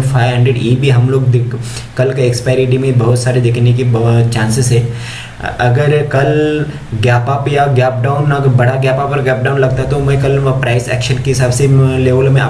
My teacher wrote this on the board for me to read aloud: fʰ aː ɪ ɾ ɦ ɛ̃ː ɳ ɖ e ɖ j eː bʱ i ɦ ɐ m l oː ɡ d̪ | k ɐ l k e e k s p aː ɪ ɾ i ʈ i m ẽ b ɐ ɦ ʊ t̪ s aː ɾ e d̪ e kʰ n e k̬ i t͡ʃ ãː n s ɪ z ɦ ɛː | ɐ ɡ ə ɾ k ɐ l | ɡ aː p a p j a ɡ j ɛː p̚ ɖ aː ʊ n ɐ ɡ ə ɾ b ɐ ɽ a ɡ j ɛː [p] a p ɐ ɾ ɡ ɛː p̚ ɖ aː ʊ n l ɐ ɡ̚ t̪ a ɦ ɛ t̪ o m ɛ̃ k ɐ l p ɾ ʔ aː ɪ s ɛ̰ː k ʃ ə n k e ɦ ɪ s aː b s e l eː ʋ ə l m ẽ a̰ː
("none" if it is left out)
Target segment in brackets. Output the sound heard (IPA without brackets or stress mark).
p